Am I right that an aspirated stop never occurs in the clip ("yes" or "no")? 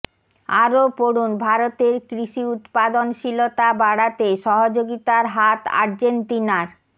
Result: yes